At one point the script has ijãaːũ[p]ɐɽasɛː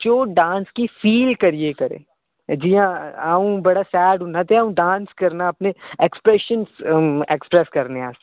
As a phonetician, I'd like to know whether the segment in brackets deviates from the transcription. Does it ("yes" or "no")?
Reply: yes